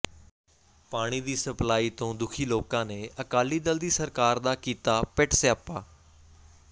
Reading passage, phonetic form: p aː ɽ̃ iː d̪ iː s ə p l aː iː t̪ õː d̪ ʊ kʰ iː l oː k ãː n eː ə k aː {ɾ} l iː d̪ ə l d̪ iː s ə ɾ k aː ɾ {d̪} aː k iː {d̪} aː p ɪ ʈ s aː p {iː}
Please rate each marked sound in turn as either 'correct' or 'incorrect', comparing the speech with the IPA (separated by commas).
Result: incorrect, correct, incorrect, incorrect